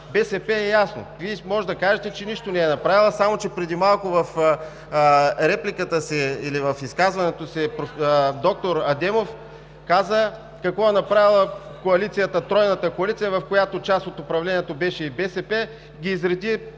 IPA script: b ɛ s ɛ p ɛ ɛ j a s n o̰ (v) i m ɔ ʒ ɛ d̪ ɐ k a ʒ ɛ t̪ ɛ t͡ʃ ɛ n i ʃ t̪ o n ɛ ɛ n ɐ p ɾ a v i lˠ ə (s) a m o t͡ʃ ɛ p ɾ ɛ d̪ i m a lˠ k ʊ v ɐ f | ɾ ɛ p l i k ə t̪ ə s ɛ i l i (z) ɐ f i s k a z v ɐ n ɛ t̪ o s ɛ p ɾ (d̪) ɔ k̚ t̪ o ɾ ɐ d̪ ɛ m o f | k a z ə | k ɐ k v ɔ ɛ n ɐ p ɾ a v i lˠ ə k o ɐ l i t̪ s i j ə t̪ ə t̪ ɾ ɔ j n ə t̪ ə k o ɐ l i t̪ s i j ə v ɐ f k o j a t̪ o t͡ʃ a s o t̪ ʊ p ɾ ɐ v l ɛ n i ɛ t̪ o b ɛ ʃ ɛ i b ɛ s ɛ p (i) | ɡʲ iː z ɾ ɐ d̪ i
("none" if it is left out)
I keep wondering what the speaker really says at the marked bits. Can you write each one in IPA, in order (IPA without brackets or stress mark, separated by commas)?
v, s, v, d̪, ɛ